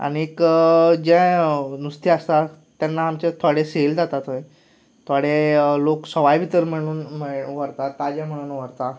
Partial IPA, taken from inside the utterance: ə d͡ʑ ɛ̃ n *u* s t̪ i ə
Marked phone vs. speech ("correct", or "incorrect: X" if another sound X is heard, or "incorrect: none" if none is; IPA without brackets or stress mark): correct